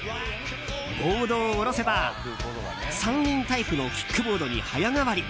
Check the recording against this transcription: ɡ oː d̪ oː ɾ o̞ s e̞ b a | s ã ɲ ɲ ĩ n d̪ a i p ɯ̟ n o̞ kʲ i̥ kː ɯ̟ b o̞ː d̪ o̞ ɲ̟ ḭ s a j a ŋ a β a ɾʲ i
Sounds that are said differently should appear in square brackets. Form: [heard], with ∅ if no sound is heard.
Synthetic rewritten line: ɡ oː d̪ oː ɾ o̞ s e̞ b a | s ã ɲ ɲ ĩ n [t̪] a i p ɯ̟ n o̞ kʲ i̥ kː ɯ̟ b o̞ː d̪ o̞ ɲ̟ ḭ [h] a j a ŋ a β a ɾʲ i